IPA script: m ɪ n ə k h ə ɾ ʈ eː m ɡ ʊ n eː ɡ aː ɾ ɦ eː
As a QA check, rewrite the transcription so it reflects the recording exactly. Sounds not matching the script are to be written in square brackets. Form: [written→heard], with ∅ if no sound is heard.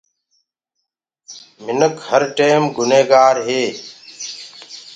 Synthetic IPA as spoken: m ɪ n ə k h ə ɾ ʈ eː m ɡ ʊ n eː ɡ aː ɾ ɦ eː